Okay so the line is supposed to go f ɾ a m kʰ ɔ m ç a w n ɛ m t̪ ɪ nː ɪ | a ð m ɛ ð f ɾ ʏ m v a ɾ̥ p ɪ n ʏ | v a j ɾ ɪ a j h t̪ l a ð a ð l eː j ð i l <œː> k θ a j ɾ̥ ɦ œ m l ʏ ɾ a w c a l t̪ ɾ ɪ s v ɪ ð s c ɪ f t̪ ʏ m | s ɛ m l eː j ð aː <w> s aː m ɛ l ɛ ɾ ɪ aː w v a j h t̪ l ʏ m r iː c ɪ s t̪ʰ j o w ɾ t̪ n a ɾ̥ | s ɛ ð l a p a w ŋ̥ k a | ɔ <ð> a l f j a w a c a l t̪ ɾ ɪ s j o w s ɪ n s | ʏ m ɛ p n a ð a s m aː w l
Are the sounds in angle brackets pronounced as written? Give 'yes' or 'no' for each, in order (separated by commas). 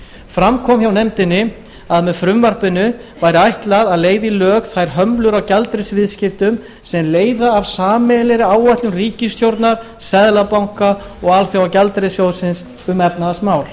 yes, no, no